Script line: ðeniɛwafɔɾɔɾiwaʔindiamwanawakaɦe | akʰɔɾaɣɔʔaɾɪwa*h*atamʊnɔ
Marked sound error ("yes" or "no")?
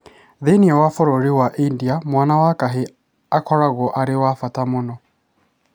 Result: yes